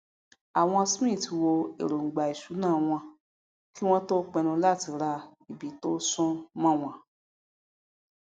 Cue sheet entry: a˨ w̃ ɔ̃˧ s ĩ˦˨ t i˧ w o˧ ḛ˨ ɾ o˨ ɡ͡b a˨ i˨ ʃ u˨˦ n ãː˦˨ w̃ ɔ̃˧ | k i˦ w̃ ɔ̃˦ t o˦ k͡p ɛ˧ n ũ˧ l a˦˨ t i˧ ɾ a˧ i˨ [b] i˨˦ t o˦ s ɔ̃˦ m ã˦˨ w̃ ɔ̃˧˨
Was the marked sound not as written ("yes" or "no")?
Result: no